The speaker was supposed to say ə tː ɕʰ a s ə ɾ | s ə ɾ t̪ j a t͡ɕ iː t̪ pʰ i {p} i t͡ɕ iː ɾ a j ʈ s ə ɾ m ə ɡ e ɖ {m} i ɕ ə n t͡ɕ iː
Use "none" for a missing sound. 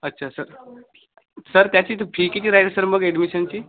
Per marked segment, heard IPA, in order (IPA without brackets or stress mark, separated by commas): k, m